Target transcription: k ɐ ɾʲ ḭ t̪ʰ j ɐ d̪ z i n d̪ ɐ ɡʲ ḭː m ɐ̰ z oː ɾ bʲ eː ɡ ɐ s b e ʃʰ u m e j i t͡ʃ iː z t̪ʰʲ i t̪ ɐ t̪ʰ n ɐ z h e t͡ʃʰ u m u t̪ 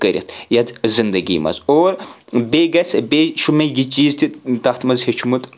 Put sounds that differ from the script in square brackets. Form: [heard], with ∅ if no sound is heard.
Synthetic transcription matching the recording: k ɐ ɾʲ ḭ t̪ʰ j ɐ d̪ z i n d̪ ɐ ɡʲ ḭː m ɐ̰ z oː ɾ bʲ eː ɡ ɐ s b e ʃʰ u m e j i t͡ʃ iː z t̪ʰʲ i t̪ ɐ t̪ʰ [m] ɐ z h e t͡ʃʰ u m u t̪